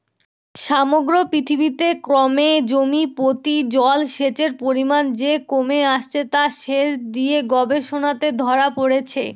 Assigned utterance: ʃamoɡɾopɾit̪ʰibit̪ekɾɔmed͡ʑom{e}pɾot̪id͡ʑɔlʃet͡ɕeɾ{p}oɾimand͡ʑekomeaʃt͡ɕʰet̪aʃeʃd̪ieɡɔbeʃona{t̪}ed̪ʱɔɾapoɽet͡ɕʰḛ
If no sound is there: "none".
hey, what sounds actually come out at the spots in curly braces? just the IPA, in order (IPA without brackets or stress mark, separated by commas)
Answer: i, p, t̪